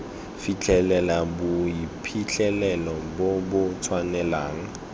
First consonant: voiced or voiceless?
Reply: voiceless